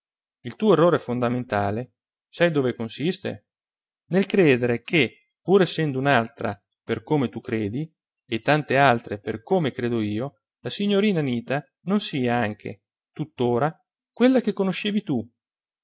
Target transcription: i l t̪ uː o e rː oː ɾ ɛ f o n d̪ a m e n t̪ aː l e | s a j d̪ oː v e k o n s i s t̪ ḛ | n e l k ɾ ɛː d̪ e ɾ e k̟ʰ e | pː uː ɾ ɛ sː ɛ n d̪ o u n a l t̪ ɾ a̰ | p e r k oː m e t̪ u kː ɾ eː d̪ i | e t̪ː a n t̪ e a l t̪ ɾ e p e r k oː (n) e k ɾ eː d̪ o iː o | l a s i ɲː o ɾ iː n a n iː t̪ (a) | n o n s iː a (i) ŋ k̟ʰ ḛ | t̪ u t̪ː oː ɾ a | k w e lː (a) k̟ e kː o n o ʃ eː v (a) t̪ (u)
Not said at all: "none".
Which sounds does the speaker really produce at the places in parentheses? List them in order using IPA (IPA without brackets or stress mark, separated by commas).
m, a, a, a, i, u